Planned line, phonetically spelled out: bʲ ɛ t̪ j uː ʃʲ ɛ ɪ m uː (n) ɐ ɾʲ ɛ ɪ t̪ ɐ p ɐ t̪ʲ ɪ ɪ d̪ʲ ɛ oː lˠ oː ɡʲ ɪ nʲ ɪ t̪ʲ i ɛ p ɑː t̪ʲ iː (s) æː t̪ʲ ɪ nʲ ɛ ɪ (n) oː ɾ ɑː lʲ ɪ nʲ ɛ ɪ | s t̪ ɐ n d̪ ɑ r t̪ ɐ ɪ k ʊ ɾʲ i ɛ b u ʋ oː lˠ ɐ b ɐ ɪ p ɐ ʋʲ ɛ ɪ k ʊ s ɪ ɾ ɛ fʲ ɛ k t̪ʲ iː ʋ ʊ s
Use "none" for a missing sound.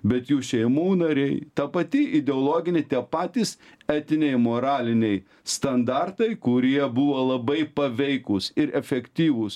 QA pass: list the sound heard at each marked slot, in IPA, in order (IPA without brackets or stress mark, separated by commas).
n, s, m